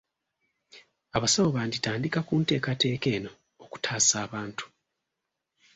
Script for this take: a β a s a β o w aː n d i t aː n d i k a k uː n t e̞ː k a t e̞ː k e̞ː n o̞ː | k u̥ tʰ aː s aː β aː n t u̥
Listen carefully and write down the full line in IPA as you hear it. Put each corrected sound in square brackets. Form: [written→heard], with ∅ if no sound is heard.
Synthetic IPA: a β a s a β o [w→β] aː n d i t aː n d i k a k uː n t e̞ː k a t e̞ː k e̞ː n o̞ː | k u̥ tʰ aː s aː β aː n t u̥